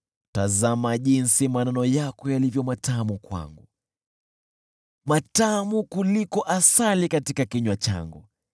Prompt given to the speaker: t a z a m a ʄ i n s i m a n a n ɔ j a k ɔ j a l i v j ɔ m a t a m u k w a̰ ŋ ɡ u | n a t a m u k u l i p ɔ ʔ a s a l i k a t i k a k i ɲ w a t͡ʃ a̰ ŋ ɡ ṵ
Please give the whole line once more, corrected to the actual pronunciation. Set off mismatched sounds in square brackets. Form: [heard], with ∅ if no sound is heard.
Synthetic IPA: t a z a m a ʄ i n s i m a n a n ɔ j a k ɔ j a l i v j ɔ m a t a m u k w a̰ ŋ ɡ u | [m] a t a m u k u l i [k] ɔ ʔ a s a l i k a t i k a k i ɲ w a t͡ʃ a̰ ŋ ɡ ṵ